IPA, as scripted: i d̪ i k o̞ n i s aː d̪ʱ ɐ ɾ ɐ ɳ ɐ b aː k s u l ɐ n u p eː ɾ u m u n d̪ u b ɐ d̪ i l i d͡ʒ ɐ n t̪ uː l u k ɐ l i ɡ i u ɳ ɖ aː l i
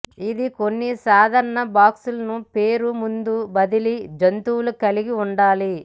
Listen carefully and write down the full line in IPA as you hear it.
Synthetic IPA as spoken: i d̪ i k o̞ nː i s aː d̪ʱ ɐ ɾ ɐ ɳ ɐ b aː k s u l ɐ n u p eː ɾ u m u n d̪ u b ɐ d̪ i l i d͡ʒ ɐ n t̪ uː l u k ɐ l i ɡ i u ɳ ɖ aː l i